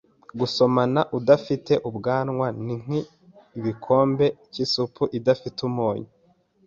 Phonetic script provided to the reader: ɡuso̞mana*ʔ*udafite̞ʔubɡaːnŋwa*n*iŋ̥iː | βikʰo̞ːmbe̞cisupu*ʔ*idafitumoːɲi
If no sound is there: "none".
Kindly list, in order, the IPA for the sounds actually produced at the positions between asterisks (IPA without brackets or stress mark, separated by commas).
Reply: ʔ, n, ʔ